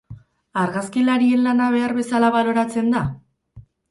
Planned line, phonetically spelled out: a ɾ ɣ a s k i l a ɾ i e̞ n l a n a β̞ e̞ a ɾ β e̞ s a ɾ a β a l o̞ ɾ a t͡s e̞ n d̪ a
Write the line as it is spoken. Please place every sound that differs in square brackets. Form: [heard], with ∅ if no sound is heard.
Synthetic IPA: a ɾ ɣ a s k i l a ɾ i e̞ n l a n a β̞ e̞ a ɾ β e̞ s a [l] a β a l o̞ ɾ a t͡s e̞ n d̪ a